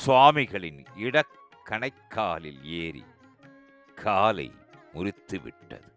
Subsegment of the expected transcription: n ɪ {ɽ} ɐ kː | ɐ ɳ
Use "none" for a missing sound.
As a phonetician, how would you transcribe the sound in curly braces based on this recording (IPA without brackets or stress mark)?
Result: ɽ